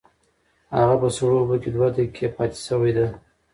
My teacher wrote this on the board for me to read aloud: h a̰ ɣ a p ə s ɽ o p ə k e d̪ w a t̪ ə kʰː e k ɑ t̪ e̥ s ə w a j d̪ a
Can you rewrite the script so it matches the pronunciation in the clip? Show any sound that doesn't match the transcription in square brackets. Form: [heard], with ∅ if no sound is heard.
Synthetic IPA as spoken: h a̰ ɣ a p ə s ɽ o [b] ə k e d̪ w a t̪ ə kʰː e [p] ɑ t̪ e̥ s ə w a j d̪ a